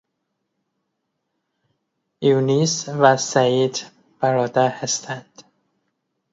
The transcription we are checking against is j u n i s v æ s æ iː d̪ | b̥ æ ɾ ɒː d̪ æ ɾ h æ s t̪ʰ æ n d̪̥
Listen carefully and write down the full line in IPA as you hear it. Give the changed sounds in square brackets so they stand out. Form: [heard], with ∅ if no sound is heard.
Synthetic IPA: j u n i s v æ s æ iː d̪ | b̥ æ ɾ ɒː d̪ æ ɾ h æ s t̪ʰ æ n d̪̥